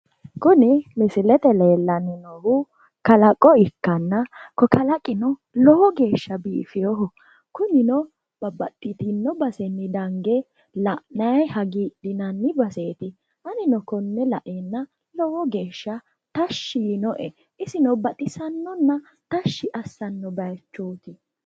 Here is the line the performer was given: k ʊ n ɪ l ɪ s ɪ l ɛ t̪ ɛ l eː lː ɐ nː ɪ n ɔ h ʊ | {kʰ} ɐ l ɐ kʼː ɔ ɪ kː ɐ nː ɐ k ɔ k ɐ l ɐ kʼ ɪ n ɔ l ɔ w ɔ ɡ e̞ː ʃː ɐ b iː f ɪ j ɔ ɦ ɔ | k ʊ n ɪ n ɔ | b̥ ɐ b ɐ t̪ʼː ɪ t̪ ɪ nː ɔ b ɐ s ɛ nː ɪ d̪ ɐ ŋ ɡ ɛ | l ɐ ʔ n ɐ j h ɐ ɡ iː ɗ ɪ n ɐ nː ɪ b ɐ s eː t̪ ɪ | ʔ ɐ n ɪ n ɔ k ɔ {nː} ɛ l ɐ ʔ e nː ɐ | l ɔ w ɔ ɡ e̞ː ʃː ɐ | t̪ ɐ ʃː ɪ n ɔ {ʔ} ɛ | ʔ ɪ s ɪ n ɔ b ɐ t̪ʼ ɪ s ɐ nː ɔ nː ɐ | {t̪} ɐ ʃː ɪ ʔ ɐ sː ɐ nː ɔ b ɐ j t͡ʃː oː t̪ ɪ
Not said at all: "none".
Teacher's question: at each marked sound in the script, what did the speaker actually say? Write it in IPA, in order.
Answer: k, nː, ʔ, t̪

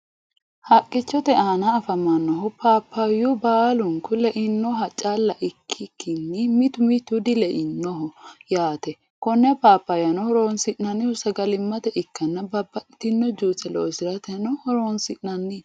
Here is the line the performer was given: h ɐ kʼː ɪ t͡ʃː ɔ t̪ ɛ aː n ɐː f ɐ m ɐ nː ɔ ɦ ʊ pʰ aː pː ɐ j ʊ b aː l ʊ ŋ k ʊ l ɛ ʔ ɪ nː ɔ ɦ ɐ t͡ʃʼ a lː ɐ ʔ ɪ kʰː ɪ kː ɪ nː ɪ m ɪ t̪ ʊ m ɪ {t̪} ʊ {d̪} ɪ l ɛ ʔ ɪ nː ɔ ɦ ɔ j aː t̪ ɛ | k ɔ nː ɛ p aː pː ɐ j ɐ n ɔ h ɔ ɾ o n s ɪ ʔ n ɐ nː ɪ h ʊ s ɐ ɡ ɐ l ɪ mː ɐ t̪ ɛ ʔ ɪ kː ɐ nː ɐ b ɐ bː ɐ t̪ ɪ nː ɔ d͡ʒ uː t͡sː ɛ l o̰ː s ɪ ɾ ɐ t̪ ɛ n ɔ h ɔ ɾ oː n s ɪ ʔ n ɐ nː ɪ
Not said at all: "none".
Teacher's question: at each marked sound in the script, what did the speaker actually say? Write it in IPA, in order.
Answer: t̪, d̪

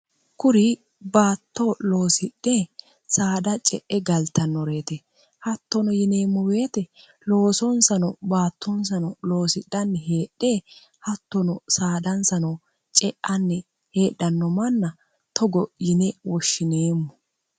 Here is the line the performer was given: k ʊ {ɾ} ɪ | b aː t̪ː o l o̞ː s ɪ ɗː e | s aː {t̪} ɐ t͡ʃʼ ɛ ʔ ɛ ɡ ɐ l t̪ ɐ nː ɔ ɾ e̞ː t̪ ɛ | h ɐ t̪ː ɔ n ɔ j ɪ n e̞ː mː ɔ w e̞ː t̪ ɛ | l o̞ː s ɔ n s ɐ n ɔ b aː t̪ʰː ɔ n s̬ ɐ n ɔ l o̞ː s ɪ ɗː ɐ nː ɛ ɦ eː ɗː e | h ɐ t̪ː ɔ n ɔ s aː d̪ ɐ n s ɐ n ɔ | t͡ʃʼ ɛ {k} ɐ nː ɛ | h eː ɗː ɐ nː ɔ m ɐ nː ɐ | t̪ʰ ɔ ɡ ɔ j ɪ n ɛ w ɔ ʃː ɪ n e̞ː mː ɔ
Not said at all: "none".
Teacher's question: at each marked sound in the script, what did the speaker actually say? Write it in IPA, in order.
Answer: ɾ, d̪, ʔ

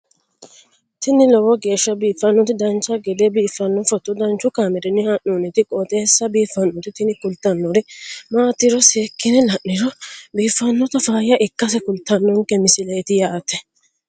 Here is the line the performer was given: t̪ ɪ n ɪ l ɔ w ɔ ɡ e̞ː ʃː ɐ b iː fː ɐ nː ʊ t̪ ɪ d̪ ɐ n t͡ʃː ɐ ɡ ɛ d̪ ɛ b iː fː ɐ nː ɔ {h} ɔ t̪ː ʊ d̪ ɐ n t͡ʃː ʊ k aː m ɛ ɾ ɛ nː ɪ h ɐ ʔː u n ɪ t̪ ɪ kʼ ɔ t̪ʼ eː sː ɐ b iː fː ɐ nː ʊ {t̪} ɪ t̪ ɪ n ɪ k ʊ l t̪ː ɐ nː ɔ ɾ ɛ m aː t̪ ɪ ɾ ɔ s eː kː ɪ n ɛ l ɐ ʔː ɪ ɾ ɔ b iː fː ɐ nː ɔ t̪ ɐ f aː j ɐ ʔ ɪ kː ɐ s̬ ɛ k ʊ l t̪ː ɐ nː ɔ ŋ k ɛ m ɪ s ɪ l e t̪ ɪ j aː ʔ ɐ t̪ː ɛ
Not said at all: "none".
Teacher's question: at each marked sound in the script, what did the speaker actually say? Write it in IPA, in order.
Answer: f, t̪

